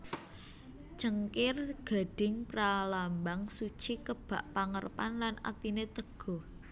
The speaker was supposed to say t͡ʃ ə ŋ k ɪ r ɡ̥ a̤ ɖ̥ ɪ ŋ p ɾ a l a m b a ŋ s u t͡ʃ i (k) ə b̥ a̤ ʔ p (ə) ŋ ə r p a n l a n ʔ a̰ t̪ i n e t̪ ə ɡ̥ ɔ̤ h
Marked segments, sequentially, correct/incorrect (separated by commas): correct, incorrect